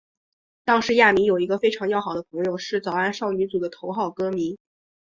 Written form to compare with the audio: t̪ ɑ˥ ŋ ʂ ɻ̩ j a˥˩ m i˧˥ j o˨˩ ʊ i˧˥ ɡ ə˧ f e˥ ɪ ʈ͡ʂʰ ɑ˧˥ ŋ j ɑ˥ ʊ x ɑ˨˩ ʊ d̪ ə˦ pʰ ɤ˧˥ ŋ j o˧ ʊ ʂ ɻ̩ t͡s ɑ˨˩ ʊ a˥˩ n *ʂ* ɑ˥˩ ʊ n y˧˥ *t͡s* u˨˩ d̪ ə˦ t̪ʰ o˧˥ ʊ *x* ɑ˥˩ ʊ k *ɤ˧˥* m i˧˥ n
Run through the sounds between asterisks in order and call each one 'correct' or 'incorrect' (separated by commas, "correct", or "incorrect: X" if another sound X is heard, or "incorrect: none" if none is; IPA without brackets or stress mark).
correct, correct, correct, incorrect: ɤ˥